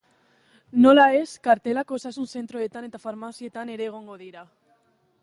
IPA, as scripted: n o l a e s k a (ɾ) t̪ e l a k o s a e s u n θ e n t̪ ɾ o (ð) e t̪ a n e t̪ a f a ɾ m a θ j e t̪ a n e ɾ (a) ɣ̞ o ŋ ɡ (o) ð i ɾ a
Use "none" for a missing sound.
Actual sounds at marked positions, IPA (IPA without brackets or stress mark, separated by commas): ɾ, ð, e, o